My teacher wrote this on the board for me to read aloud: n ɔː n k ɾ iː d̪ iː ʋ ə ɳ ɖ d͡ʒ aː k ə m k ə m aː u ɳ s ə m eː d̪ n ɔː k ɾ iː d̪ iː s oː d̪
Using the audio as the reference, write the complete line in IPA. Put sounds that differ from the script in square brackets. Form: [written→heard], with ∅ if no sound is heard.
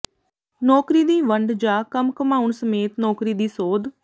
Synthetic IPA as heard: n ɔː [n→∅] k ɾ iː d̪ iː ʋ ə ɳ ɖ d͡ʒ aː k ə m k ə m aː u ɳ s ə m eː [d̪→t̪] n ɔː k ɾ iː d̪ iː s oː d̪